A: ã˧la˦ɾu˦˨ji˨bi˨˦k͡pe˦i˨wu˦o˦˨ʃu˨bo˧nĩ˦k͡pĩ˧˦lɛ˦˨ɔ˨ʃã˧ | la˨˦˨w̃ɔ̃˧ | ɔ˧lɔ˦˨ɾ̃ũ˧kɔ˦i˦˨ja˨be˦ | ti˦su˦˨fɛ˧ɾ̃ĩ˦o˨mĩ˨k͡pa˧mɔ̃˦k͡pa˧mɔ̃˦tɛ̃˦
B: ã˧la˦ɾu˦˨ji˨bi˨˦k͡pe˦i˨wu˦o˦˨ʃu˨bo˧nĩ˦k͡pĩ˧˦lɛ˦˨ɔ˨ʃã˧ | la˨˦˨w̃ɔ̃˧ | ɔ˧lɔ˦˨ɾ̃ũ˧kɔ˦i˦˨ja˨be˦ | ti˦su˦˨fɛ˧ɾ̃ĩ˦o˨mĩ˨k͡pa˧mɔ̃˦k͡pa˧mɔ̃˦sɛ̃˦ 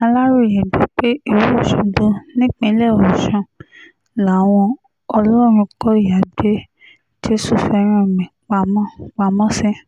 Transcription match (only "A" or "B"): B